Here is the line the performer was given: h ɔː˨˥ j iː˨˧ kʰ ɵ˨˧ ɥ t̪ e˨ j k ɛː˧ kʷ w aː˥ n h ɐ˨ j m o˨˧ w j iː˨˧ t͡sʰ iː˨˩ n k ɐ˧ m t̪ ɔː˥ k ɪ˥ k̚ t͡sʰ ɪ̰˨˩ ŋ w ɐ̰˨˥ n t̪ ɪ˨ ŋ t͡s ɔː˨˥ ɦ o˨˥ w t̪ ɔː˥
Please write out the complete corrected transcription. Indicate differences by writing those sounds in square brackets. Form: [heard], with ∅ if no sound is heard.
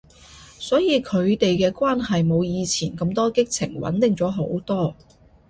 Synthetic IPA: [s] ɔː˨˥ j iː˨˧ kʰ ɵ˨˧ ɥ t̪ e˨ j k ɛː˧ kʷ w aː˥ n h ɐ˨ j m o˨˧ w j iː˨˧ t͡sʰ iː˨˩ n k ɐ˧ m t̪ ɔː˥ k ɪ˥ k̚ t͡sʰ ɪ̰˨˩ ŋ w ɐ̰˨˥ n t̪ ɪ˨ ŋ t͡s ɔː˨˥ ɦ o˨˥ w t̪ ɔː˥